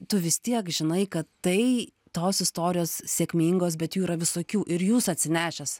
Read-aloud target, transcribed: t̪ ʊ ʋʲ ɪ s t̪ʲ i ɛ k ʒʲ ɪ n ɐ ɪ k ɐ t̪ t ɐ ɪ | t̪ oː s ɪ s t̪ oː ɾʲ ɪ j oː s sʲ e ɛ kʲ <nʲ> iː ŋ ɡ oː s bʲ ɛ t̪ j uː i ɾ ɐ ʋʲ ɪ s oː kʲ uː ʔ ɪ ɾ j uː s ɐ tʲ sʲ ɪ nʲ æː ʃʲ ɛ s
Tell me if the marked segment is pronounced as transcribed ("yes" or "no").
no